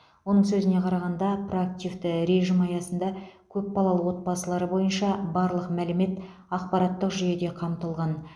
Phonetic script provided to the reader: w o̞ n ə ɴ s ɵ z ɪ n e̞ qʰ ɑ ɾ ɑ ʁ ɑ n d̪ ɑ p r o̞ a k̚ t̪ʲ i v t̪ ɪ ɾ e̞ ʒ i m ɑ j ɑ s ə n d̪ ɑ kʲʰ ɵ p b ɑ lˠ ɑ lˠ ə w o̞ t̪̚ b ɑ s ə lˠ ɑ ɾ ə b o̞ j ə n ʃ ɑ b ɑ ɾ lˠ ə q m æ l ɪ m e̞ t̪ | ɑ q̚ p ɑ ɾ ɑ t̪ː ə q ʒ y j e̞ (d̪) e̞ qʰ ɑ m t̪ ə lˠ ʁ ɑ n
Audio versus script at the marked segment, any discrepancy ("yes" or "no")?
no